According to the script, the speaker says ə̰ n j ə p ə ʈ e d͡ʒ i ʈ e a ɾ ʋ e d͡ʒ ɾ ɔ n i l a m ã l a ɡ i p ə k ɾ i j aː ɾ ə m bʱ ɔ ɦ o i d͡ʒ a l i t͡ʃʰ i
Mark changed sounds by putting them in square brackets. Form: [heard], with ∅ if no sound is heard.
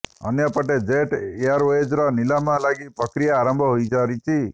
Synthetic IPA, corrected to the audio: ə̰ n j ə p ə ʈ e d͡ʒ [e] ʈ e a ɾ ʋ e d͡ʒ ɾ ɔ n i l a m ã l a ɡ i p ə k ɾ i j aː ɾ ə m bʱ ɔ ɦ o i d͡ʒ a [ɾ] i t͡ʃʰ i